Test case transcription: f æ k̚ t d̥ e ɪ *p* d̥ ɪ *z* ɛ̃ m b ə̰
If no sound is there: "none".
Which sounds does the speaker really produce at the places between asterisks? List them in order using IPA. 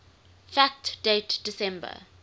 t, s

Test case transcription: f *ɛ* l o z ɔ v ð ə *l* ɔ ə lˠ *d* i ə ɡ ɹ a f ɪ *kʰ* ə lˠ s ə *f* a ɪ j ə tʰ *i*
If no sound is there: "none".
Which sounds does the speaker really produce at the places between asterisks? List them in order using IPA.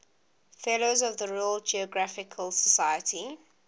ɛ, ɹ, d͡ʒ, kʰ, s, i

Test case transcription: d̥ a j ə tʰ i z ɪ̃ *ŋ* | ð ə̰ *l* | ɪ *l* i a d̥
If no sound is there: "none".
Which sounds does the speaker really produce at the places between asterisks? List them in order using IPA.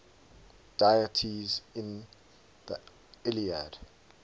n, none, l

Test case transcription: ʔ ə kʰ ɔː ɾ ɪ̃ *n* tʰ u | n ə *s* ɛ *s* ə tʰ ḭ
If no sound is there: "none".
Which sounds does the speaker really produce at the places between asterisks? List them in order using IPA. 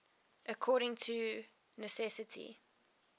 ŋ, s, s

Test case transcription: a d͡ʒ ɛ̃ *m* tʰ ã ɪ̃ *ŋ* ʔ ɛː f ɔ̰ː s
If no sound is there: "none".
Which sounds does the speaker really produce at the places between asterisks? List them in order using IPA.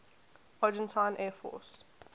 n, n

